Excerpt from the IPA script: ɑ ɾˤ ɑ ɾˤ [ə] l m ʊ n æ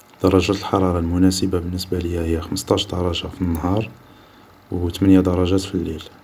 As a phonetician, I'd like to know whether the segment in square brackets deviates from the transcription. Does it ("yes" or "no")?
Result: yes